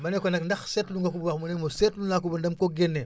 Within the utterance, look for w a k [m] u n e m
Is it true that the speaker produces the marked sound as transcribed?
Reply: yes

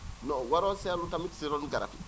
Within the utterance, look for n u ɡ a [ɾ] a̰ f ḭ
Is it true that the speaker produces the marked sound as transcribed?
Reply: yes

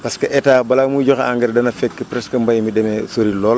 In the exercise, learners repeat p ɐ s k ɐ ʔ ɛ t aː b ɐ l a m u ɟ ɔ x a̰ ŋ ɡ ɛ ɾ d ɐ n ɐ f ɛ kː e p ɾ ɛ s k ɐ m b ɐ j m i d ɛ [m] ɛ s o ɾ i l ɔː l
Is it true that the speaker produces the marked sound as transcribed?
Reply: yes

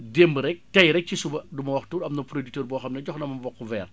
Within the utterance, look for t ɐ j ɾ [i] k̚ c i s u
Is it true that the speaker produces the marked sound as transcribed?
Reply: no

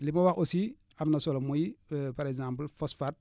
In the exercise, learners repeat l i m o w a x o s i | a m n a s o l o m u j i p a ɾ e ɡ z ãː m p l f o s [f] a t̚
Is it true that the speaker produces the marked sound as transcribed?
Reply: yes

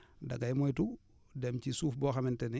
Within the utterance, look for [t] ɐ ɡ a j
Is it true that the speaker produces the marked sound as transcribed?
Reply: no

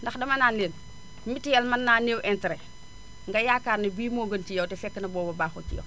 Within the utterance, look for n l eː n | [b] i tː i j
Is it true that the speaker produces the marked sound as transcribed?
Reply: no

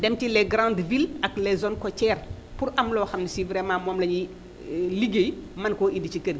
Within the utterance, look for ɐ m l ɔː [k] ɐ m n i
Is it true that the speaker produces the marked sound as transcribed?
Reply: no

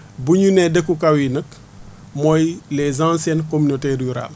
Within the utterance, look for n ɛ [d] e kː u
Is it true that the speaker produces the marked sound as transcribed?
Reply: yes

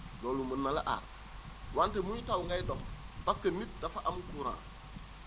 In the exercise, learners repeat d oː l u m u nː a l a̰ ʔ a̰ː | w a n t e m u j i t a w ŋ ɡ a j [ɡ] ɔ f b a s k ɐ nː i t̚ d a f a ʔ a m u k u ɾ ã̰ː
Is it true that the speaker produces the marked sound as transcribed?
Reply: no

